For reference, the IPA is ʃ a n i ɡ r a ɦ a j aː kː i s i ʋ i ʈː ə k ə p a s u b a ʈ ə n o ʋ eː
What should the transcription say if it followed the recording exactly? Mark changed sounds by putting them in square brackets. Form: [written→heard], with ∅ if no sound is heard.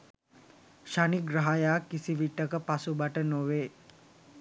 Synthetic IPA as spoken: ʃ a n i ɡ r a ɦ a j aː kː i s i ʋ i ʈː ə k ə p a s u b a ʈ ə n o ʋ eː